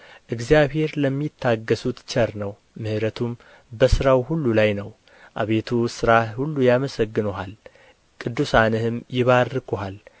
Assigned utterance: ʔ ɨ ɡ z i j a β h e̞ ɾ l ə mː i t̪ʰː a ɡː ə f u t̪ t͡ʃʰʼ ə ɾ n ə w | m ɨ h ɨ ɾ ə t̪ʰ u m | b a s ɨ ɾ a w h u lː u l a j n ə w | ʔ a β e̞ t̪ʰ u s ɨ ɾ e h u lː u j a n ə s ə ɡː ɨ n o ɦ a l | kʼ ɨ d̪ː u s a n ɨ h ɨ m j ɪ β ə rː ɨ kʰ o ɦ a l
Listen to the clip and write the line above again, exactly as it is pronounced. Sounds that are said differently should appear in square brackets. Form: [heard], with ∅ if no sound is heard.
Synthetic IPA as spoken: ʔ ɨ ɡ z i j a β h e̞ ɾ l ə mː i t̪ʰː a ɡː ə [s] u t̪ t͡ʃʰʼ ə ɾ n ə w | m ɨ h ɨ ɾ ə t̪ʰ u m | b [ə] s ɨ ɾ a w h u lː u l a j n ə w | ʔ a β e̞ t̪ʰ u s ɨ ɾ [a] h u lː u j a [m] ə s ə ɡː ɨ n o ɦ a l | kʼ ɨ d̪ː u s a n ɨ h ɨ m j ɪ β [a] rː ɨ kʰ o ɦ a l